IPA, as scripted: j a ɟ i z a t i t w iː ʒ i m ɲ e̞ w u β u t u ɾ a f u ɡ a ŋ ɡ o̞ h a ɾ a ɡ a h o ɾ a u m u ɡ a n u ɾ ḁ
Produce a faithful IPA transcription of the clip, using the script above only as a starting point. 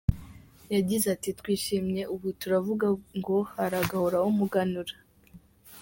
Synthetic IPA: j a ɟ i z a t i t w iː ʃ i m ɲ e̞ u β u t u ɾ a v u ɡ a ŋ ɡ o̞ h a ɾ a ɡ a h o ɾ a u m u ɡ a n u ɾ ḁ